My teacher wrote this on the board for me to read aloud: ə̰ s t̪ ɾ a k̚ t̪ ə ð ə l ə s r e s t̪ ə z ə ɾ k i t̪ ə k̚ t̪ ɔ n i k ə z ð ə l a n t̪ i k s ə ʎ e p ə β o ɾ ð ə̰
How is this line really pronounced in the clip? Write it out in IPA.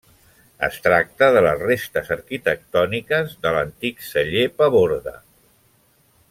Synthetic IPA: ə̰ s t̪ ɾ a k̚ t̪ ə ð ə l ə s r e s t̪ ə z ə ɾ k i t̪ ə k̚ t̪ ɔ n i k ə z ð ə l ə n t̪ i k s ə ʎ e p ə β o ɾ ð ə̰